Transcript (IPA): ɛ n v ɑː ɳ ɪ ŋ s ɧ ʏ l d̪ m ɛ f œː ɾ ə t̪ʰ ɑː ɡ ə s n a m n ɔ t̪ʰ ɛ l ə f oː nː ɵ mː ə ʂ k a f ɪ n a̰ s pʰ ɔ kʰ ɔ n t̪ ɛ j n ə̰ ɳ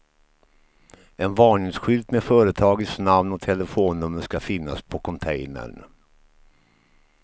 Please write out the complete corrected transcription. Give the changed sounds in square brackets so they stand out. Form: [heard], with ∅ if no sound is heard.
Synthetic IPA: ɛ n v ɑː ɳ ɪ ŋ s ɧ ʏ l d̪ m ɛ f œː ɾ ə t̪ʰ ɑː ɡ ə s n a m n ɔ t̪ʰ ɛ l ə f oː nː ɵ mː ə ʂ k a f ɪ [nː] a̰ s pʰ ɔ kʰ ɔ n [t̪ʰ] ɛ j n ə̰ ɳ